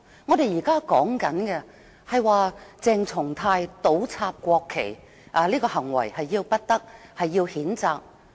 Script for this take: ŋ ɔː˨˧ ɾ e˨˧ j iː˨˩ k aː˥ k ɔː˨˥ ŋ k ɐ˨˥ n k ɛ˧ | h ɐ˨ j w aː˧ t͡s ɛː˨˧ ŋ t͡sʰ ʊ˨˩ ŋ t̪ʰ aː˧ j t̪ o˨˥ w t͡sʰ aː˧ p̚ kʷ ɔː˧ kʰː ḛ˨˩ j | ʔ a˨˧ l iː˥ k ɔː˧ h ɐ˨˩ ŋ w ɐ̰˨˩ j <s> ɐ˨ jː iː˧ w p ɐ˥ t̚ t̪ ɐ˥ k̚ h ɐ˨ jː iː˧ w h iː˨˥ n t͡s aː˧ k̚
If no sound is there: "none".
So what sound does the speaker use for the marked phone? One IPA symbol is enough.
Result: h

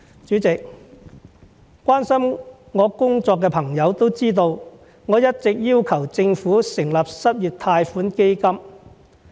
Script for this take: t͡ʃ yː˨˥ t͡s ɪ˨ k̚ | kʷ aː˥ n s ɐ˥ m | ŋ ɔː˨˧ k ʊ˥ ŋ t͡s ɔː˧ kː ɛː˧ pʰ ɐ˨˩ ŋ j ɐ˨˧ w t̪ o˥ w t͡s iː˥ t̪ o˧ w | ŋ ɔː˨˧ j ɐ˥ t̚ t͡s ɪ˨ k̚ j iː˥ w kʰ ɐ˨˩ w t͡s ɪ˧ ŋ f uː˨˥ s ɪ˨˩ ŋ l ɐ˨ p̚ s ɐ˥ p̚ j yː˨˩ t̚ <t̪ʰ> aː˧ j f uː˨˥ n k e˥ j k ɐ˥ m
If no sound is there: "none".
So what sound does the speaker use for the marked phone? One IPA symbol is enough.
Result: t̪ʰ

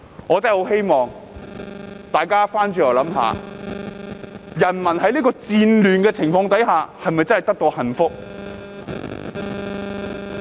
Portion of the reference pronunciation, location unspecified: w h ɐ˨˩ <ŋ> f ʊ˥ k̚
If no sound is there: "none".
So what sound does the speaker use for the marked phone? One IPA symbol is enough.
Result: n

